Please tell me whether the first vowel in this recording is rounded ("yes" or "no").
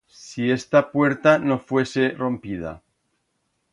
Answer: no